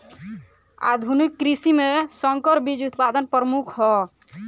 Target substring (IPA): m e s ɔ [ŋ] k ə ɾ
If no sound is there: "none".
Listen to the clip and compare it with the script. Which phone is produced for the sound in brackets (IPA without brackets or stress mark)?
ŋ